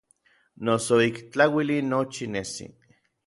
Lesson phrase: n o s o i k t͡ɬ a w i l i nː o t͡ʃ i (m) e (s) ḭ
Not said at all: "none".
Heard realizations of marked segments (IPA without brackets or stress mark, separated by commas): n, s